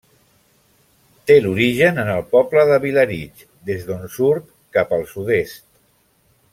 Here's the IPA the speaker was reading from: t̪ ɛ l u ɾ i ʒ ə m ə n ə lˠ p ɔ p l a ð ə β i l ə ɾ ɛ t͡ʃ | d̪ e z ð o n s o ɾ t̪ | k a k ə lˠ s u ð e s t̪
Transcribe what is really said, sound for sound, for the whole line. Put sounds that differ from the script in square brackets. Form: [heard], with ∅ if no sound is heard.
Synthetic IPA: t̪ [e] l u ɾ i ʒ ə [n] ə n ə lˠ p ɔ p l [ə] ð ə β i l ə ɾ [i] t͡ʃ | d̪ e z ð o n s [u] ɾ t̪ | k a [p] ə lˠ s u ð e s t̪